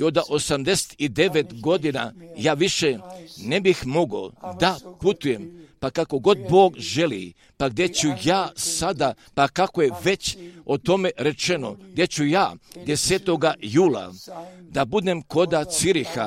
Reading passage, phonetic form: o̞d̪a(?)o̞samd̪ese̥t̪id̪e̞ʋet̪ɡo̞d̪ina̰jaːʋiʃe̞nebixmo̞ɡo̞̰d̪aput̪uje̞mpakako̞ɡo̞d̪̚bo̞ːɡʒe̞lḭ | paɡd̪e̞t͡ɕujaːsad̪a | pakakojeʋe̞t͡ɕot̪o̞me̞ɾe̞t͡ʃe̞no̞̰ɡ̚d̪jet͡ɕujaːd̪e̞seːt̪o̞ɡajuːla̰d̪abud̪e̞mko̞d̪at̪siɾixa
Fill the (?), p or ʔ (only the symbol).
ʔ